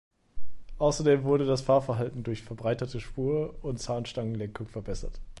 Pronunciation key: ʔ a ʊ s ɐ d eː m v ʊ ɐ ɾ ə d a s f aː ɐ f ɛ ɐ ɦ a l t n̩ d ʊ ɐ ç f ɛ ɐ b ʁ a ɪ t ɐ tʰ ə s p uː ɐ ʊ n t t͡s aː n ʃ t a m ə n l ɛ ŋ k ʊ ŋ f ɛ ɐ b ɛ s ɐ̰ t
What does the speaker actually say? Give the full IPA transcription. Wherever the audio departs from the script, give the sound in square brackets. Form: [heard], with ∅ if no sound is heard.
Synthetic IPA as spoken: ʔ a ʊ s ɐ d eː m v ʊ ɐ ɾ ə d a s f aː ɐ f ɛ ɐ ɦ a l t n̩ d ʊ ɐ ç f ɛ ɐ b ʁ a ɪ t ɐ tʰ ə [ʃ] p uː ɐ ʊ n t t͡s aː n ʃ t a [ŋ] ə n l ɛ ŋ k ʊ ŋ f ɛ ɐ b ɛ s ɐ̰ t